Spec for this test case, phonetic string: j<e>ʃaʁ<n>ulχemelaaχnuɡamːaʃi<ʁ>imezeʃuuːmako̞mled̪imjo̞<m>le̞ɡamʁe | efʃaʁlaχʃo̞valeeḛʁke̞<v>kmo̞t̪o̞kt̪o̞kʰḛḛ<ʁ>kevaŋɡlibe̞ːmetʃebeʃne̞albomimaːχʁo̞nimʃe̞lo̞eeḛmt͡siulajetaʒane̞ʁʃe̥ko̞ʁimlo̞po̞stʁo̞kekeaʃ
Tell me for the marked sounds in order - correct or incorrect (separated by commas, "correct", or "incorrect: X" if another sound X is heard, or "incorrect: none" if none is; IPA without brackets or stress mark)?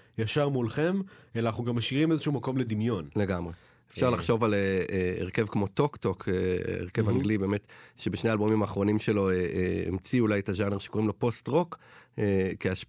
incorrect: a, incorrect: m, correct, incorrect: n, correct, correct